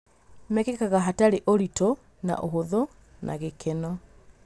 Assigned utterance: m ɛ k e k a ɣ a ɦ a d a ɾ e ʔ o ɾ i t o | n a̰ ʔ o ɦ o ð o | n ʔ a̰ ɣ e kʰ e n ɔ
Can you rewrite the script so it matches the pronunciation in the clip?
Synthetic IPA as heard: m ɛ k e k a ɣ a ɦ a t a ɾ e ʔ o ɾ i t o | n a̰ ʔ o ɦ o ð o | n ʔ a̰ ɣ e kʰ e n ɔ